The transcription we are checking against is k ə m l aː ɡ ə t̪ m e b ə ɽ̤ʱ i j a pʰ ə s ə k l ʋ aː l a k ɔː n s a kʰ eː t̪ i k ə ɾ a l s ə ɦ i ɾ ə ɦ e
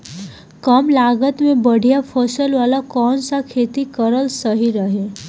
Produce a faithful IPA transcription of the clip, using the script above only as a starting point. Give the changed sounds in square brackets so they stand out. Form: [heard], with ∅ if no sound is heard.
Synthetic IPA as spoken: k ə m l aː ɡ ə t̪ m [ẽ] b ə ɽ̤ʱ i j a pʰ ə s ə [∅] l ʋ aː l a k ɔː n s a kʰ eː t̪ i k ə ɾ [ə] l s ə ɦ i ɾ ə ɦ e

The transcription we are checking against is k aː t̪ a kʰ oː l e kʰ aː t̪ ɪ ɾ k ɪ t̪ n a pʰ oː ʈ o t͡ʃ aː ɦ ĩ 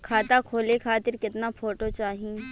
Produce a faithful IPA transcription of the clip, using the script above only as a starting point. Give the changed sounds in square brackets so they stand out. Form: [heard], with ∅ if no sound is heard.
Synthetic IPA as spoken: [kʰ] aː t̪ a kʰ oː l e kʰ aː t̪ ɪ ɾ k ɪ t̪ n a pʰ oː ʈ o t͡ʃ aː ɦ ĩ

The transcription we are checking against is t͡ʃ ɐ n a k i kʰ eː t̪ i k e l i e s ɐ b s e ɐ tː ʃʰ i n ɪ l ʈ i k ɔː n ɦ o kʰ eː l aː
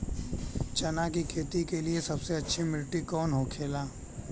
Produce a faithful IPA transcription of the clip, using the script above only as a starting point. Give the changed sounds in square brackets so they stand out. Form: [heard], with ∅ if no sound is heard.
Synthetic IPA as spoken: t͡ʃ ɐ n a k i kʰ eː t̪ i k e l i e s ɐ b s e ɐ tː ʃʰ i [m] ɪ l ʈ i k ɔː n ɦ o kʰ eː l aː

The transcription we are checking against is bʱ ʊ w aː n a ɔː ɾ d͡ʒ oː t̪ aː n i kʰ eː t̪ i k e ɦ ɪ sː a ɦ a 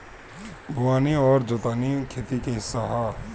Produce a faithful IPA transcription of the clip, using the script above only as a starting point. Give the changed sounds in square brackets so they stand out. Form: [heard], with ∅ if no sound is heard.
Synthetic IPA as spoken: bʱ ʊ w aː n [i] ɔː ɾ d͡ʒ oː t̪ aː n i kʰ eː t̪ i k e ɦ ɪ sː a ɦ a

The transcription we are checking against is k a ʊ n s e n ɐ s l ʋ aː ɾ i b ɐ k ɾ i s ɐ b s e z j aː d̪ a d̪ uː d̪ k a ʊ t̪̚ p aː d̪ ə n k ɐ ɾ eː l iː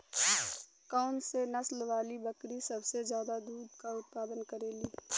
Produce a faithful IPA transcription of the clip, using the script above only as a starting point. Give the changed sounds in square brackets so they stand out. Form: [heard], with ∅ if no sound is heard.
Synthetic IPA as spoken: k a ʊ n s e n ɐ s l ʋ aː [l] i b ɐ k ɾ i s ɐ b s e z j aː d̪ a d̪ uː d̪ k a ʊ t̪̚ p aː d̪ ə n k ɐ ɾ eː l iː

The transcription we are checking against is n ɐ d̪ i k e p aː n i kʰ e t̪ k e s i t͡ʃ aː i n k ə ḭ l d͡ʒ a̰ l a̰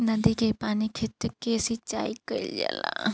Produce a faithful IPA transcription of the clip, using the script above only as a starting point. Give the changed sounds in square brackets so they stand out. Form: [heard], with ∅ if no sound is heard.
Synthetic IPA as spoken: n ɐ d̪ i k e p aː n i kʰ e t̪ k e s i t͡ʃ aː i [∅] k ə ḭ l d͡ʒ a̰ l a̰

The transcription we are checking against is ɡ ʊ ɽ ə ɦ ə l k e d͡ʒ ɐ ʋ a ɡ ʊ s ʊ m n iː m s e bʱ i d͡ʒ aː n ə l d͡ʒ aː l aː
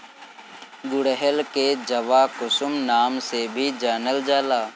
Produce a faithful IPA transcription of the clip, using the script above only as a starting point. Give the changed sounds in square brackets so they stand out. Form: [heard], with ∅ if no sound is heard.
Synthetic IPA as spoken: ɡ ʊ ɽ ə ɦ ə l k e d͡ʒ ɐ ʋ a [k] ʊ s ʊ m n [aː] m s e bʱ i d͡ʒ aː n ə l d͡ʒ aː l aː

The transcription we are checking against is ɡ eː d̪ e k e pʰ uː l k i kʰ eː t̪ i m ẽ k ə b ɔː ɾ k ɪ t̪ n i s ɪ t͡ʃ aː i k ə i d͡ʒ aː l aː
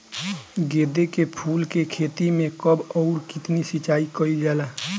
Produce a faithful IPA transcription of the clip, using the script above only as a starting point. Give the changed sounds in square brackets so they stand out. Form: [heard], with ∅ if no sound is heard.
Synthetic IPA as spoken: ɡ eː d̪ e k e pʰ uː l k [e] kʰ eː t̪ i m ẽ k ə b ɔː ɾ k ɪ t̪ n i s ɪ t͡ʃ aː i k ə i d͡ʒ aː l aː

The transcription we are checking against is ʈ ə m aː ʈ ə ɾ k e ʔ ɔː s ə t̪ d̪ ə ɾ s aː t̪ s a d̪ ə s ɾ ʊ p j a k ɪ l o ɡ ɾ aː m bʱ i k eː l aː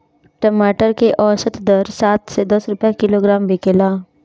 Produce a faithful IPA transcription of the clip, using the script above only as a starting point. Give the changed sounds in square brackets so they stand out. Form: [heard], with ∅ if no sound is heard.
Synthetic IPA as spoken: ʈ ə m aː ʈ ə ɾ k e ʔ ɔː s ə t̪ d̪ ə ɾ s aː t̪ s [e] d̪ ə s ɾ ʊ p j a k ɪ l o ɡ ɾ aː m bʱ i k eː l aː

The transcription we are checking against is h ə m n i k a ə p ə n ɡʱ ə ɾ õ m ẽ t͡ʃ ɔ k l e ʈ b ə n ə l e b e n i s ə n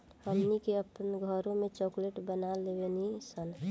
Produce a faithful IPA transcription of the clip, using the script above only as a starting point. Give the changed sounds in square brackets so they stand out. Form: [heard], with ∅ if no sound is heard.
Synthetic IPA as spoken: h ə m n i k [e] ə p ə n ɡʱ ə ɾ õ m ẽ t͡ʃ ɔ k l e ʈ b ə n [a] l e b e n i s ə n

